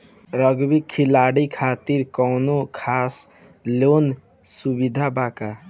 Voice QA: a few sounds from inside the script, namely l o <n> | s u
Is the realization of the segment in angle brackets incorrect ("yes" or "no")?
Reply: no